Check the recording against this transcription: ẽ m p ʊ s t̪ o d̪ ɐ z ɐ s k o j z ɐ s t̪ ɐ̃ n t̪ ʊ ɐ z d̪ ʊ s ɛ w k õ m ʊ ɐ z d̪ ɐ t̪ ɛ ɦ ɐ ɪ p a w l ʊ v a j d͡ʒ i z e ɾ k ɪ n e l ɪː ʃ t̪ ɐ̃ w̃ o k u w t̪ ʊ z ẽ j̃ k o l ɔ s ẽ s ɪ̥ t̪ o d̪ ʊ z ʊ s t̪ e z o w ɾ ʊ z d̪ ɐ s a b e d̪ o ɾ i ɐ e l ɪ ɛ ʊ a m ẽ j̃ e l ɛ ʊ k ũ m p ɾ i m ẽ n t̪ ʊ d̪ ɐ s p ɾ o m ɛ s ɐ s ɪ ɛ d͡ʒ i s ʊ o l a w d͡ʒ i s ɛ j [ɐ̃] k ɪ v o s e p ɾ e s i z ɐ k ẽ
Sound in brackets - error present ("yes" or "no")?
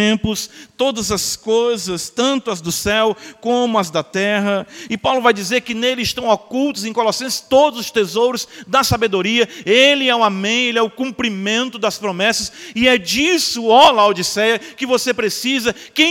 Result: yes